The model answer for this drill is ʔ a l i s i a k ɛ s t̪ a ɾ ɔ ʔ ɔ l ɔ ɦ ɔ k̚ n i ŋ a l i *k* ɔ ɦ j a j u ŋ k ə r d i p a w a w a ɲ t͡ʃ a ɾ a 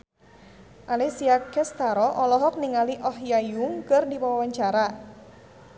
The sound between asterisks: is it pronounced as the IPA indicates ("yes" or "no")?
no